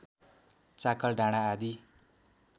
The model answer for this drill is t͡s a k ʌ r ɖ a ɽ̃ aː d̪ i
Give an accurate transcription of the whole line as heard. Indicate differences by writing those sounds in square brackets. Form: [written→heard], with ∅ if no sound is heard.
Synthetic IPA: t͡s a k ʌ [r→l] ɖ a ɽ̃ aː d̪ i